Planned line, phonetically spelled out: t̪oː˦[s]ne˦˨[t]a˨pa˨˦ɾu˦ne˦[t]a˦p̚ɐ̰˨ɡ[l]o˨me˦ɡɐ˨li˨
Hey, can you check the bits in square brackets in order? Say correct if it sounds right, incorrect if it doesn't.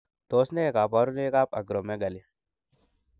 correct, incorrect, incorrect, incorrect

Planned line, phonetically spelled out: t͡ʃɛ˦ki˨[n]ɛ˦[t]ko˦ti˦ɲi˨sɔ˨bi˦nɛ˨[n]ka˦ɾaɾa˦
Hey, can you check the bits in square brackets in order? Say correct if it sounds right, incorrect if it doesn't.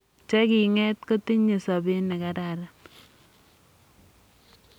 incorrect, correct, incorrect

